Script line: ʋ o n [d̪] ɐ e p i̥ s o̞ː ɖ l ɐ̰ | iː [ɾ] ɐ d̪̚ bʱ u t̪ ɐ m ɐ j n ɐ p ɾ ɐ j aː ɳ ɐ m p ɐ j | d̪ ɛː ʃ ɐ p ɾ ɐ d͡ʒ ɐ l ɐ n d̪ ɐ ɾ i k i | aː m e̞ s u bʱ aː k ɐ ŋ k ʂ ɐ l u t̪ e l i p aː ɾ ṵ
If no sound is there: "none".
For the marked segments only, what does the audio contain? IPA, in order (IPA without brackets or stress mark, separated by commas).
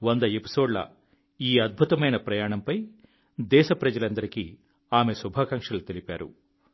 d̪, none